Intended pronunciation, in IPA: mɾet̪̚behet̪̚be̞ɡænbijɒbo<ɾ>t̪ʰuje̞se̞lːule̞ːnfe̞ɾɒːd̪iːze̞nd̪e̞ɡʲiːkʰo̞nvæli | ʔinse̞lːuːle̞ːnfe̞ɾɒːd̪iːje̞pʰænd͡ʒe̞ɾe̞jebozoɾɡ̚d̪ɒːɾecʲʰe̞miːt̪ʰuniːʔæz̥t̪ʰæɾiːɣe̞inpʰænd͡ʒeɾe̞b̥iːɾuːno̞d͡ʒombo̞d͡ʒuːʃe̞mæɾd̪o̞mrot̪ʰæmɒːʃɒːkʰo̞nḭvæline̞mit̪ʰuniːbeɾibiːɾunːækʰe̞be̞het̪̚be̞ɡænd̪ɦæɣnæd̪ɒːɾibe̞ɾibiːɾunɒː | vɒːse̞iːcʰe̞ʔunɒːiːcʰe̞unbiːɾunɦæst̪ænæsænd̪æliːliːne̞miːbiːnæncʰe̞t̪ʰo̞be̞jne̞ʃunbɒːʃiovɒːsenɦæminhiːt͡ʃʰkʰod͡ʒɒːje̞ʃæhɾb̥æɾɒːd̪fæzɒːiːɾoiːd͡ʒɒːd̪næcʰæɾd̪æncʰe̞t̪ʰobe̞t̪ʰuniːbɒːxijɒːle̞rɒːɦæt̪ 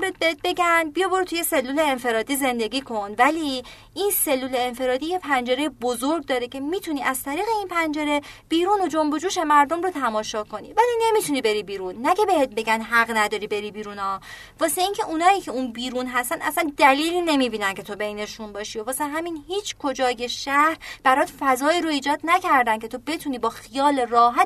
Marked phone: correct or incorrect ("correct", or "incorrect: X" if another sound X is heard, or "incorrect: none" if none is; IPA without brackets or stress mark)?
correct